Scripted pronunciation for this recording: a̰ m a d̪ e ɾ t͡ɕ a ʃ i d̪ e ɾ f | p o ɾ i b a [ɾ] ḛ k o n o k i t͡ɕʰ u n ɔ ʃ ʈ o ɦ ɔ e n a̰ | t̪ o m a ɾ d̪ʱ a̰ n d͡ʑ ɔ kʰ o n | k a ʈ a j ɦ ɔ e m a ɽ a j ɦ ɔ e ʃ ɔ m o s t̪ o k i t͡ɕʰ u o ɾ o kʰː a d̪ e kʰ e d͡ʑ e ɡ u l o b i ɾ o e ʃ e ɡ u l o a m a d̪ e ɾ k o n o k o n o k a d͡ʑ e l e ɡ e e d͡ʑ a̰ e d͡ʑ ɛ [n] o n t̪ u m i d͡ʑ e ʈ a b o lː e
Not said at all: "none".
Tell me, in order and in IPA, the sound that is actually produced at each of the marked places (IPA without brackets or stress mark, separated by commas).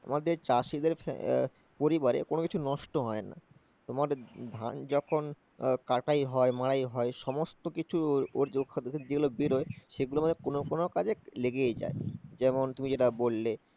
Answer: ɾ, m